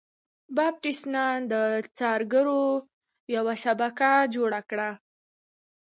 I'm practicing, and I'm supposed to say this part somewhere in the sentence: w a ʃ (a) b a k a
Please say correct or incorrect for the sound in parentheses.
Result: correct